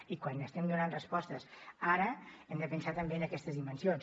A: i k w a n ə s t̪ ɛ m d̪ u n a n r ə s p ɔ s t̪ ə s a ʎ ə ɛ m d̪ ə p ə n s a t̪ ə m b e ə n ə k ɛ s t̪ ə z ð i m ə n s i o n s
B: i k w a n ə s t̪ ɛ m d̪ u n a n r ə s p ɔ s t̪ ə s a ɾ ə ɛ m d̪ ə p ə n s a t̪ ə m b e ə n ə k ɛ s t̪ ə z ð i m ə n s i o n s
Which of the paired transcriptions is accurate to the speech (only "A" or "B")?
B